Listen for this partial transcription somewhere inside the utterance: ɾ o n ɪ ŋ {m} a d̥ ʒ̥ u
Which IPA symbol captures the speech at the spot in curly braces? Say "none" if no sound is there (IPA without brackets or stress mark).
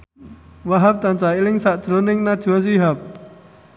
n